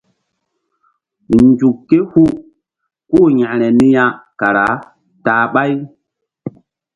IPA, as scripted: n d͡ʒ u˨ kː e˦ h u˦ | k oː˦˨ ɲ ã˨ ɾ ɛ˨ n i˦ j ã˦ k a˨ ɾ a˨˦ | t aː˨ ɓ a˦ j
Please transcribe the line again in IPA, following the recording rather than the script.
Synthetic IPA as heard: n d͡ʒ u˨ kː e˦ h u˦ | k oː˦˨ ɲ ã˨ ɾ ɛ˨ n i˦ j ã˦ k a˨ ɾ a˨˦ | t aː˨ ɓ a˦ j

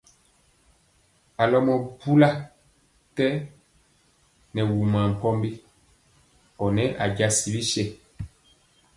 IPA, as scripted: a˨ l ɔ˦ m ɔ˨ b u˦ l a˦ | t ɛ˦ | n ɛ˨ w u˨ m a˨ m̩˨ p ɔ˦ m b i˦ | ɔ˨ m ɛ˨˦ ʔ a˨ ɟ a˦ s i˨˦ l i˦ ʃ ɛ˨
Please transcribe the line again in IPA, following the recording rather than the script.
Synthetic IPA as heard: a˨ l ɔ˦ m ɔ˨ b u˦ l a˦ | t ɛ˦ | n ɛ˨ w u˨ m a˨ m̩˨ p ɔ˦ m b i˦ | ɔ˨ n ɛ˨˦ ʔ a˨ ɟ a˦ s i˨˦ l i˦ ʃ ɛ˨

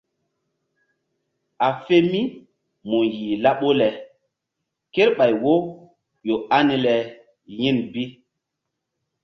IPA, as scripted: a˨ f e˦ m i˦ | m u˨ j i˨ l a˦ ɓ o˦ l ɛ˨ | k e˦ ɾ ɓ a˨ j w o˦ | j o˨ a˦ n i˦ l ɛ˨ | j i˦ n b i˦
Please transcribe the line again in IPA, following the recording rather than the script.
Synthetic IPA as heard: a˨ f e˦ m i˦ | m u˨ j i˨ l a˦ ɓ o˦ l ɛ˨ | k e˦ ɾ ɓ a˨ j w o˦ | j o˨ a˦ n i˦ l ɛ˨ | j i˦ n b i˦

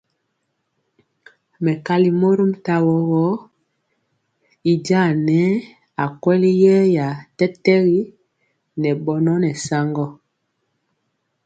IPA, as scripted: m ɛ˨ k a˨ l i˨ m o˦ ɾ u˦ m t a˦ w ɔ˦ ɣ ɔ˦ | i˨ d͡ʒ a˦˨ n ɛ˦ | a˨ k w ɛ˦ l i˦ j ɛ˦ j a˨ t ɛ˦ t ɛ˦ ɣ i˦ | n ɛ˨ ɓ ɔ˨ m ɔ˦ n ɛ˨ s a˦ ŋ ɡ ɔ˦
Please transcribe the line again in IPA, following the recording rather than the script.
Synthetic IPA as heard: m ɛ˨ k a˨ l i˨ m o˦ ɾ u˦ m t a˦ w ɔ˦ ɣ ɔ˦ | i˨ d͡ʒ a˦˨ n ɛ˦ | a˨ k w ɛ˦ l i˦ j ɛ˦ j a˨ t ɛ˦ t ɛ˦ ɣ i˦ | n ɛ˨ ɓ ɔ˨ n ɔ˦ n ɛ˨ s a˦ ŋ ɡ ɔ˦

